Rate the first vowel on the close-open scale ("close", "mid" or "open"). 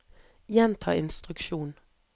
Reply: mid